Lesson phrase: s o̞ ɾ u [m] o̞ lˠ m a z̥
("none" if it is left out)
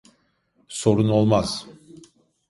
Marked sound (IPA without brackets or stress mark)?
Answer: n